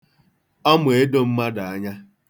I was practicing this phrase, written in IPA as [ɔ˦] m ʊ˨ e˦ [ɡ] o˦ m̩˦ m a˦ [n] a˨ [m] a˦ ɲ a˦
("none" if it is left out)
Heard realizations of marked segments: ɔ˦, d, d, none

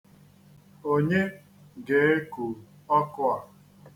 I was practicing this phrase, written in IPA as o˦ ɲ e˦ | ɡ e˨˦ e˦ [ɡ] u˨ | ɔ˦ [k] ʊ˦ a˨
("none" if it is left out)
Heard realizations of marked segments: k, k

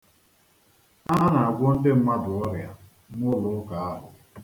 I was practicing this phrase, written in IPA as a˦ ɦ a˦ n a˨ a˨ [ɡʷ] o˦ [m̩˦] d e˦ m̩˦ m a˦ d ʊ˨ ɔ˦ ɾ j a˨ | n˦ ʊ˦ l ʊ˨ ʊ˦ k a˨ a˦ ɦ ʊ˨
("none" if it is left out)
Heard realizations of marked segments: ɡʷ, n̩˦

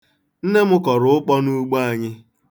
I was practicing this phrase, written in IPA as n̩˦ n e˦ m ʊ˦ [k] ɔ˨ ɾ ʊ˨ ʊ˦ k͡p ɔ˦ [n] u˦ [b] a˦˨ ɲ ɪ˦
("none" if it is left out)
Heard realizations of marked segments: k, n, ɡ͡b

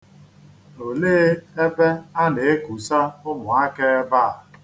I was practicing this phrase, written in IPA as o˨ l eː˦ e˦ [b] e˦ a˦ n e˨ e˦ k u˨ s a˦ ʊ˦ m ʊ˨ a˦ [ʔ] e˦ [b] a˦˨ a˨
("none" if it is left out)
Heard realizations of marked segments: b, k, b

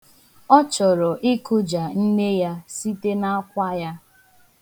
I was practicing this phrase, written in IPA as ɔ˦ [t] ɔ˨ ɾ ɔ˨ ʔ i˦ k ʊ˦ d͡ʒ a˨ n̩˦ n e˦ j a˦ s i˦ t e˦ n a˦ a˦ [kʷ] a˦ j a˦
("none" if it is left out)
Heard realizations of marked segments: t͡ʃ, kʷ

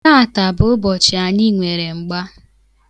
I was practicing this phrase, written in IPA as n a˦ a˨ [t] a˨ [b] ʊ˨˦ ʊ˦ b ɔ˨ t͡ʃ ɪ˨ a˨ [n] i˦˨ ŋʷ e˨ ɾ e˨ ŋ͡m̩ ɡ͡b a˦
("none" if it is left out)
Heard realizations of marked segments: t, b, ɲ

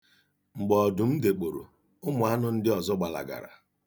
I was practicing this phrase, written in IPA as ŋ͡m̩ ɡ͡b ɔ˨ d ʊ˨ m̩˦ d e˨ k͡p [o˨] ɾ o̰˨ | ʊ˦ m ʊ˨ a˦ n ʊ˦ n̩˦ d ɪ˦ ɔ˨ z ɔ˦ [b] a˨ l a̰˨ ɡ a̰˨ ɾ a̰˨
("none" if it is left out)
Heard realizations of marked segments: o˨, ɡ͡b

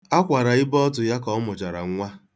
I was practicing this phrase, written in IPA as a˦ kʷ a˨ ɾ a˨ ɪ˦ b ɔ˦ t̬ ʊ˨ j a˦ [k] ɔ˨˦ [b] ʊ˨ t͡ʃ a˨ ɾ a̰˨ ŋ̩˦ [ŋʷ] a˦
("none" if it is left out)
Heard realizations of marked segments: k, m, ŋʷ

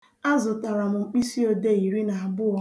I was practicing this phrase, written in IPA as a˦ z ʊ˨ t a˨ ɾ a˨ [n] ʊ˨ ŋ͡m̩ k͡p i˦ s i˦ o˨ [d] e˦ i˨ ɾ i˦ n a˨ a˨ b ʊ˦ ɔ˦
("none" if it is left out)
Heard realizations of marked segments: m, d

